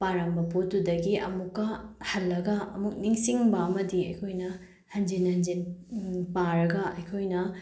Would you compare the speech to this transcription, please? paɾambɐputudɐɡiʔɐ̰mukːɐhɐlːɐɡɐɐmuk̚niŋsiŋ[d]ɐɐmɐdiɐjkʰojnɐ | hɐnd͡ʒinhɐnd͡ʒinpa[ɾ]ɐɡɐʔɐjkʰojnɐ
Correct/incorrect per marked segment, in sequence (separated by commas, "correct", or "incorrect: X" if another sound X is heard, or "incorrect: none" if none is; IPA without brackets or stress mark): incorrect: b, correct